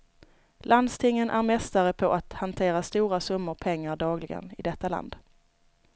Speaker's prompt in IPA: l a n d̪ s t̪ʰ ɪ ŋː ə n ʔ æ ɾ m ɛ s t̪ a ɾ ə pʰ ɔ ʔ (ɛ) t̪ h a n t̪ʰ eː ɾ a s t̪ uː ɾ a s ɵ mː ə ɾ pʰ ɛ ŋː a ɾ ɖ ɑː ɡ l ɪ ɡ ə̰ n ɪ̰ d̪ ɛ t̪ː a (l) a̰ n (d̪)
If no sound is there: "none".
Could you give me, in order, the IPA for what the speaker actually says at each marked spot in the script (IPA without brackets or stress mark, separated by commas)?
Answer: a, l, d̪